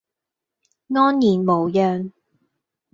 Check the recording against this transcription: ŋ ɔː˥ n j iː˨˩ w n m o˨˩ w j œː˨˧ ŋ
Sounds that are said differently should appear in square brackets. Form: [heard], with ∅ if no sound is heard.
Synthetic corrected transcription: ŋ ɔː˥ n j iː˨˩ [∅] n m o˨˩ w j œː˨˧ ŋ